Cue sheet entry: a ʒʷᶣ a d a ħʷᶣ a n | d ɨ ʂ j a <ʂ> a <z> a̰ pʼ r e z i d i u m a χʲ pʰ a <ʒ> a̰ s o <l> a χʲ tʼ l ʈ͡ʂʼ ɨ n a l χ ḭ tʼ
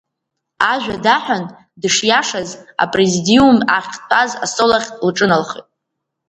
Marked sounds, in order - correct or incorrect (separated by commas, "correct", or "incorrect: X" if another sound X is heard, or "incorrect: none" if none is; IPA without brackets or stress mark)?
correct, correct, incorrect: z, correct